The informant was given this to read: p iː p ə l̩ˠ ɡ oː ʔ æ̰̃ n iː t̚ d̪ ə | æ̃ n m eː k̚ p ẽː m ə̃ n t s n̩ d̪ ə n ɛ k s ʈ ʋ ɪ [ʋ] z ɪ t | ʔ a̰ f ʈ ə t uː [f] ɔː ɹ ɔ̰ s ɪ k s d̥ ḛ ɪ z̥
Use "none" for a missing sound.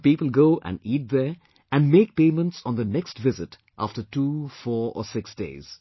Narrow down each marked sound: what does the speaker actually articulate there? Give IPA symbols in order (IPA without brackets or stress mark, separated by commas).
none, f